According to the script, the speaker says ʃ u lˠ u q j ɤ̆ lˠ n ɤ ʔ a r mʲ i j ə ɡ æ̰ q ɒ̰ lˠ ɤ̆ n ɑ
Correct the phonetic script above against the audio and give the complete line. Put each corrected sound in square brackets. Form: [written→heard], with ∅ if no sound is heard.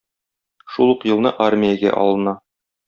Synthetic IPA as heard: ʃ u lˠ u q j ɤ̆ lˠ n ɤ ʔ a r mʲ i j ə ɡ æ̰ [q→ʔ] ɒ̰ lˠ ɤ̆ n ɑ

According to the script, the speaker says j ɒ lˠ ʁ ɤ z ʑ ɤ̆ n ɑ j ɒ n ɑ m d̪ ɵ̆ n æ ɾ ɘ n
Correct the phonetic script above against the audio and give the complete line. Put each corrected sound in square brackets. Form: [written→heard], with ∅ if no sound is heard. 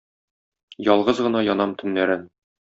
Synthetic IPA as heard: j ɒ lˠ ʁ ɤ z [ʑ→ʁ] ɤ̆ n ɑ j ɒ n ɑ m [d̪→t̪] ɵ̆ [n→nː] æ ɾ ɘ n

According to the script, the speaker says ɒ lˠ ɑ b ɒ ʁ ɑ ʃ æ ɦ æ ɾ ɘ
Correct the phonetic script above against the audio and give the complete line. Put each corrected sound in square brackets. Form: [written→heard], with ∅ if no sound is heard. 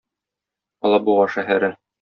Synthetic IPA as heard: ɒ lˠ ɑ b [ɒ→u] ʁ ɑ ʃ æ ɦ æ ɾ ɘ

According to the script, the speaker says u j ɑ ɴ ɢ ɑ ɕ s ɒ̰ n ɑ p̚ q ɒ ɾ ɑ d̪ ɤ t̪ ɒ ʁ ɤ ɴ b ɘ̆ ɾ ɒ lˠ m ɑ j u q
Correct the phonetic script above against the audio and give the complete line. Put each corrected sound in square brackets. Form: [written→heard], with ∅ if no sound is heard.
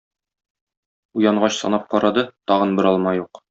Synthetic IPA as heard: u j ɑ ɴ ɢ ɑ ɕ s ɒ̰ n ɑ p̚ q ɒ ɾ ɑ d̪ ɤ t̪ ɒ ʁ ɤ [ɴ→n] b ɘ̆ ɾ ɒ lˠ m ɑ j u q

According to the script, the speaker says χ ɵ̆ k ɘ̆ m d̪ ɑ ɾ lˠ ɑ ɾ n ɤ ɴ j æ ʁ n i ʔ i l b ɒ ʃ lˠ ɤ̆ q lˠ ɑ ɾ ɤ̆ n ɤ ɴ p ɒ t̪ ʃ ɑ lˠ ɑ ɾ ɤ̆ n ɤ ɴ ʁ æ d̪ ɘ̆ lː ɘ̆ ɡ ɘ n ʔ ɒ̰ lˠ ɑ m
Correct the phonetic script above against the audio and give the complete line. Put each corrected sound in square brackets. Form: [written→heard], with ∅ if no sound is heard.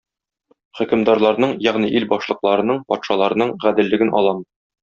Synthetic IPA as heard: χ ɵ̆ k ɘ̆ m d̪ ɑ ɾ lˠ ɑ ɾ n ɤ ɴ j æ ʁ n i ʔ i l b ɒ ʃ lˠ ɤ̆ q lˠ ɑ ɾ ɤ̆ n ɤ ɴ p ɒ t̪ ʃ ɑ lˠ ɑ ɾ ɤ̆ n ɤ ɴ ʁ æ d̪ ɘ̆ lː ɘ̆ ɡ ɘ n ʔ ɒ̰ lˠ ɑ m

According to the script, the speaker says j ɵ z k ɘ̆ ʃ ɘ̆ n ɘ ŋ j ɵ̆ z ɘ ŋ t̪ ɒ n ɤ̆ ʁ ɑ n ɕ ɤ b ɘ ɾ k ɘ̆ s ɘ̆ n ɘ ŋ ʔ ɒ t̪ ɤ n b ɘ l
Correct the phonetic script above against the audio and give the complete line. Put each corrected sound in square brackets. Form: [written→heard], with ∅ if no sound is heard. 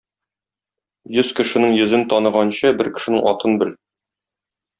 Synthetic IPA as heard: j ɵ z k ɘ̆ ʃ ɘ̆ n ɘ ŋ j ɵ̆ z ɘ [ŋ→n] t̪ ɒ n ɤ̆ ʁ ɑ n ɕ ɤ b ɘ ɾ k ɘ̆ [s→ʃ] ɘ̆ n ɘ ŋ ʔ ɒ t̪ ɤ n b ɘ l

